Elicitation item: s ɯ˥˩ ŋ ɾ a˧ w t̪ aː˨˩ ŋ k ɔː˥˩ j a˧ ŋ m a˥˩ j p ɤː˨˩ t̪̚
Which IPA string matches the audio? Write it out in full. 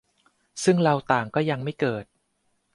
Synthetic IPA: s ɯ˥˩ ŋ ɾ a˧ w t̪ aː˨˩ ŋ k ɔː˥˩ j a˧ ŋ m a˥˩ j k ɤː˨˩ t̪̚